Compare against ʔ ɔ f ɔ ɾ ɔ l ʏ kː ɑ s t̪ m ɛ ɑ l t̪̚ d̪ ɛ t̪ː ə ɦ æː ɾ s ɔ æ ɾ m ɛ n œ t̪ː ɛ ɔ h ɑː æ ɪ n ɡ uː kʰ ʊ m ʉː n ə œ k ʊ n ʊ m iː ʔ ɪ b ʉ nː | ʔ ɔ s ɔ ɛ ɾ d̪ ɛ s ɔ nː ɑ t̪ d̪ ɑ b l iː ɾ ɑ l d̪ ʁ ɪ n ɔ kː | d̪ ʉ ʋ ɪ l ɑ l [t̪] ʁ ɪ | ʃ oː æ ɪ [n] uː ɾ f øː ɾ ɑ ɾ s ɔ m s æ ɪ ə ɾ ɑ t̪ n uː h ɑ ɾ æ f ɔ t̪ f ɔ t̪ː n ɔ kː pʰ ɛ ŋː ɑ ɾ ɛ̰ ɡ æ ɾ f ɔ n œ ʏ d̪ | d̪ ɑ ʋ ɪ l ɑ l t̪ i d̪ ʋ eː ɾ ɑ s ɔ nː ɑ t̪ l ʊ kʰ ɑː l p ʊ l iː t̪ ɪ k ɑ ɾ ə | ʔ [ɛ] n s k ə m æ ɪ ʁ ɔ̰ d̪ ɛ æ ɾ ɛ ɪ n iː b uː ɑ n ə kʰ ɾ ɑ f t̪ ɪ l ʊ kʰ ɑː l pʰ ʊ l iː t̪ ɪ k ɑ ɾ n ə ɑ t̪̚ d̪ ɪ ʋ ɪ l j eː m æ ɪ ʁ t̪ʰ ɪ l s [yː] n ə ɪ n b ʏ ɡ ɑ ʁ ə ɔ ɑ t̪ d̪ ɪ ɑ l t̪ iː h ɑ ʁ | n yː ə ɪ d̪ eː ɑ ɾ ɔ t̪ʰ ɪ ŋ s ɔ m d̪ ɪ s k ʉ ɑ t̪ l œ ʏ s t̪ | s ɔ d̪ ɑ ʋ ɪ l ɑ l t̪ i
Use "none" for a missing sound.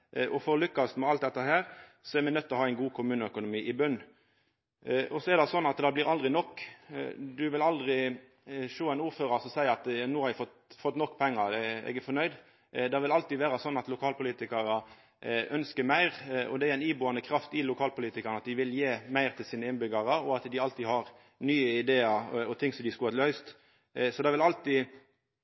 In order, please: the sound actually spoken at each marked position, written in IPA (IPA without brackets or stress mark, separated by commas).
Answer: d̪, n, œ, iː